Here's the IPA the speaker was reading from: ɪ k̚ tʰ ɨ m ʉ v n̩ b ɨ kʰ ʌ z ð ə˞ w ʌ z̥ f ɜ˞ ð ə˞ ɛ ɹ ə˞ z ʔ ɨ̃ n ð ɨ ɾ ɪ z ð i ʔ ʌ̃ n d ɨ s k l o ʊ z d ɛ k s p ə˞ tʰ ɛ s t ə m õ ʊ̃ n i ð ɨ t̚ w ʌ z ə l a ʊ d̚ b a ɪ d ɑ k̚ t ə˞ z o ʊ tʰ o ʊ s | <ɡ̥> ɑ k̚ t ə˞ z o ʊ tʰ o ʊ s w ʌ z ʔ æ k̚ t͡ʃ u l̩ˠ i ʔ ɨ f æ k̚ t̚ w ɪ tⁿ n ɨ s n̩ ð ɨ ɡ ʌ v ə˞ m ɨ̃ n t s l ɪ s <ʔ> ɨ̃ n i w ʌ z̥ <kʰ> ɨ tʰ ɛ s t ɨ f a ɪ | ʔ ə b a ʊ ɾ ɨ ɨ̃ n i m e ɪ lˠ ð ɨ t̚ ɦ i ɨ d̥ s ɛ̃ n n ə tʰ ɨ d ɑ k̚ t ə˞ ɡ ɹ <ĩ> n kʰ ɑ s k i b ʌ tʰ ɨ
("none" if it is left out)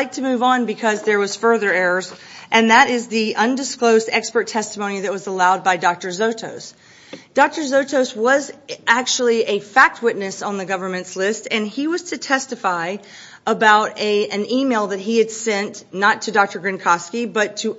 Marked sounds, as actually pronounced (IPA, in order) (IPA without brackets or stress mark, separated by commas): d̥, t, tʰ, ɨ̃